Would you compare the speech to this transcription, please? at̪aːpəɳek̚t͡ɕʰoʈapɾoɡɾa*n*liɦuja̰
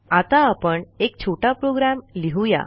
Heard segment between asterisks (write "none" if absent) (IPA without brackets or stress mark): m